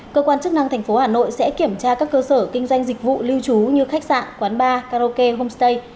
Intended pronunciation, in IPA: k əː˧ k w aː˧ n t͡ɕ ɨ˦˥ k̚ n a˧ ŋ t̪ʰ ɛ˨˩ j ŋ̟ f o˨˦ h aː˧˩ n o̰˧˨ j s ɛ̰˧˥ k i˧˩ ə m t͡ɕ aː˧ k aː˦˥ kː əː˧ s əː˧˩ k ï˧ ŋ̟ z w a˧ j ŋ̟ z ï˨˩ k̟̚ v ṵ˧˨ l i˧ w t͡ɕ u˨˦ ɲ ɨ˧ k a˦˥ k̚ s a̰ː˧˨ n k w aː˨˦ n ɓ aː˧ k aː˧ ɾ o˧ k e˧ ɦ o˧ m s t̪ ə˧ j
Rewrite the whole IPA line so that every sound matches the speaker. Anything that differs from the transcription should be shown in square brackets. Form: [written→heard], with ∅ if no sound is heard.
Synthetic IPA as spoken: k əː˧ k w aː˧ n t͡ɕ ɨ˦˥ k̚ n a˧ ŋ t̪ʰ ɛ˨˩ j ŋ̟ f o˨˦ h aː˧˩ n o̰˧˨ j s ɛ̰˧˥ k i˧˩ ə m t͡ɕ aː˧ k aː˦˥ kː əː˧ s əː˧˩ k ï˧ ŋ̟ z w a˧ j ŋ̟ z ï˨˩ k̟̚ v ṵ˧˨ l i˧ w t͡ɕ u˨˦ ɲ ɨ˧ [k→x] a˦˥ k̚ s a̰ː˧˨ n k w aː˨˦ n ɓ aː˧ k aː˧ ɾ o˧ k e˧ ɦ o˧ m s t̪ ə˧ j